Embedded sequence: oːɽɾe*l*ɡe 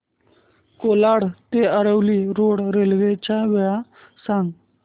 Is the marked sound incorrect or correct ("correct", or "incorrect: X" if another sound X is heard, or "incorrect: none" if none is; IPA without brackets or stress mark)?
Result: correct